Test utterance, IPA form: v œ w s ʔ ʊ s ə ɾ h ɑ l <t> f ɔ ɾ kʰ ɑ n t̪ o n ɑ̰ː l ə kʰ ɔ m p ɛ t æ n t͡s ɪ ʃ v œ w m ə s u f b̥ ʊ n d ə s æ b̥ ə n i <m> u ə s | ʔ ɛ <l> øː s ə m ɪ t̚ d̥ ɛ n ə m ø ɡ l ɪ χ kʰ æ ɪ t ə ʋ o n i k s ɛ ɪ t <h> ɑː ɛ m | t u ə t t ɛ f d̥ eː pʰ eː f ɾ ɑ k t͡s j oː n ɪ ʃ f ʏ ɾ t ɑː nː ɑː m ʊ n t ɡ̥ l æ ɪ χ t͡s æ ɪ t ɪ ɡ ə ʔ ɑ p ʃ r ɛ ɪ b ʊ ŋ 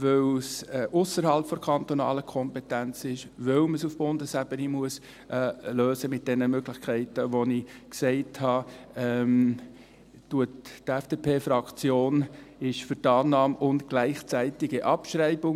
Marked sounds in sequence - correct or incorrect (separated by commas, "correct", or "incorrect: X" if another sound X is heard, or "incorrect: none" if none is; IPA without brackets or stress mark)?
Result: incorrect: p, correct, correct, correct